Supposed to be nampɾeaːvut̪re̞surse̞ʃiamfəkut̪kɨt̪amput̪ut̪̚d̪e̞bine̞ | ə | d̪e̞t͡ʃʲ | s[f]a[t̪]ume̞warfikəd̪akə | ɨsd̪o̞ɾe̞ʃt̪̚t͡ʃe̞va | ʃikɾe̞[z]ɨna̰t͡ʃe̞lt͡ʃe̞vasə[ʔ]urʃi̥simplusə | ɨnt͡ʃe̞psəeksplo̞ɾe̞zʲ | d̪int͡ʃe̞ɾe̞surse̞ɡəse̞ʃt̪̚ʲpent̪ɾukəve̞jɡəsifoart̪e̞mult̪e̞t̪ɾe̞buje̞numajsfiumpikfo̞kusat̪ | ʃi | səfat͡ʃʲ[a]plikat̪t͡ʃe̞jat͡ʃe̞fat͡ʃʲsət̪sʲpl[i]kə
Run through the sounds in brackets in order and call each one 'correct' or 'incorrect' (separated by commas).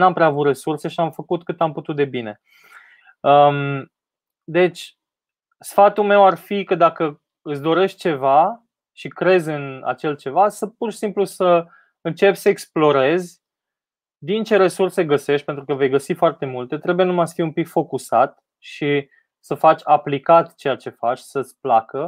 correct, correct, correct, incorrect, correct, incorrect